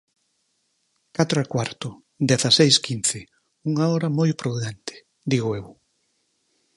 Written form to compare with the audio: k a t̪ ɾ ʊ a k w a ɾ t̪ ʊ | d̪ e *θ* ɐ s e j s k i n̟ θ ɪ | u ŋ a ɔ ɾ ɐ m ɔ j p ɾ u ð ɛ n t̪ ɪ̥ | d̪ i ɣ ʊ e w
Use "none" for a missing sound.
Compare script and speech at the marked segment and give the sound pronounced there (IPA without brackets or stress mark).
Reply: θ